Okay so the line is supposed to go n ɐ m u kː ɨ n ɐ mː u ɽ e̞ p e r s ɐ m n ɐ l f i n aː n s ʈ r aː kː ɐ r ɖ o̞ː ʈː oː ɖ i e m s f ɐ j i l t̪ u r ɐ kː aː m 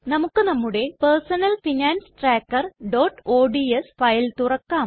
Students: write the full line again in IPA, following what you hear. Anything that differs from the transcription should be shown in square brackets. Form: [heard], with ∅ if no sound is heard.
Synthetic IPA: n ɐ m u kː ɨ n ɐ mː u ɽ e̞ p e r s ɐ [∅] n ɐ l f i n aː n s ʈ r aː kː ɐ r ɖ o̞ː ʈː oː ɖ i e [∅] s f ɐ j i l t̪ u r ɐ kː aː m